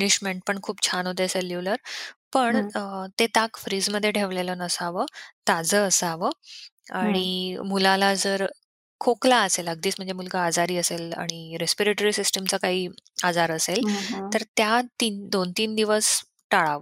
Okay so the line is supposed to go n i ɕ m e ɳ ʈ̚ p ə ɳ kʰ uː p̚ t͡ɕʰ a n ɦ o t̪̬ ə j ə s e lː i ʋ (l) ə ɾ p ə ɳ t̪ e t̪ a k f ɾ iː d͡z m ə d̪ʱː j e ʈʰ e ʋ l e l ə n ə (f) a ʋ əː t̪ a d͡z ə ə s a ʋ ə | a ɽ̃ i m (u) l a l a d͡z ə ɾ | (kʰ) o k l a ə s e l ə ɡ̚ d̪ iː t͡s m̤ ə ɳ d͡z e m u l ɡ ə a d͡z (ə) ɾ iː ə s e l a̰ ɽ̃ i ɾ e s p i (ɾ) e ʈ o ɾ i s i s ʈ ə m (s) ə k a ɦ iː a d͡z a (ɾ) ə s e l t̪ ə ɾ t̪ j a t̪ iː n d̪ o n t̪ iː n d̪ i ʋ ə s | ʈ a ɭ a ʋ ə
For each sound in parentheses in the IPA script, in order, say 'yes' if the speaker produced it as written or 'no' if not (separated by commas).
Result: yes, no, yes, yes, no, yes, no, yes